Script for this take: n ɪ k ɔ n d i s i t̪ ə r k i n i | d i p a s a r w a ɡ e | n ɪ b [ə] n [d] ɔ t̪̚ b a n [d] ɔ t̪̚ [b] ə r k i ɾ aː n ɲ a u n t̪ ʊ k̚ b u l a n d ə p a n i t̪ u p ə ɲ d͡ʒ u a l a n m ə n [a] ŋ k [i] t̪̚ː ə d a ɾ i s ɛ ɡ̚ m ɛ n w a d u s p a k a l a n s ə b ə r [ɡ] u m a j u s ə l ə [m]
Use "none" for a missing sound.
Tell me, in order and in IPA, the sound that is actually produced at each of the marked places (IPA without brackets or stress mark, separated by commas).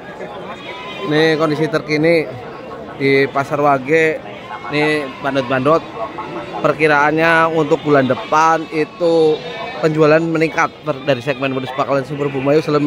a, d, d, p, i, a, b, m